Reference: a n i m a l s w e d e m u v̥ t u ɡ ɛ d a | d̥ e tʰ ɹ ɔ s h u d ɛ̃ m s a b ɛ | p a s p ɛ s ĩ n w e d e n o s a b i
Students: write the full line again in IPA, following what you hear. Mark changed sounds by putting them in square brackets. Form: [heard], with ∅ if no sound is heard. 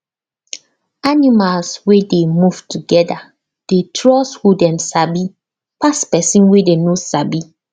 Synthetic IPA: a n i m a l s w e d e m u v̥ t u ɡ ɛ d a | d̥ e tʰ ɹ ɔ s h u d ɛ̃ m s a b [i] | p a s p ɛ s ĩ n w e d e n o s a b i